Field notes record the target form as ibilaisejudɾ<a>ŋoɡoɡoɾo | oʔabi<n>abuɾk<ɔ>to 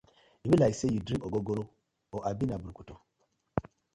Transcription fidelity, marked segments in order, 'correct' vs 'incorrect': incorrect, correct, incorrect

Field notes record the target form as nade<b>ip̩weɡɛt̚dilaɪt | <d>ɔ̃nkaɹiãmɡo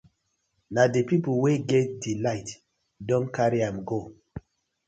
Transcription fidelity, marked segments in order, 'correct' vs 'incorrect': incorrect, correct

